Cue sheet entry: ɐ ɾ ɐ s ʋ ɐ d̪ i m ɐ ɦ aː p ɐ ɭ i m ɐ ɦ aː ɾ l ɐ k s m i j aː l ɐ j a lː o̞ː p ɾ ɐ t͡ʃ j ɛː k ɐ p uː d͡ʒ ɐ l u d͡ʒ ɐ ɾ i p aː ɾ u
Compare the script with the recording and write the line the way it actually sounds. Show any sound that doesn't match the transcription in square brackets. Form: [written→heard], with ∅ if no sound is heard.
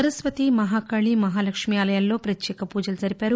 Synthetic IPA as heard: ɐ ɾ ɐ s ʋ ɐ [d̪→t̪] i m ɐ ɦ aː [p→k] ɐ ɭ i m ɐ ɦ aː [ɾ→∅] l ɐ k [s→ʂ] m i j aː l ɐ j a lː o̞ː p ɾ ɐ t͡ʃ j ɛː k ɐ p uː d͡ʒ ɐ l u d͡ʒ ɐ ɾ i p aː ɾ u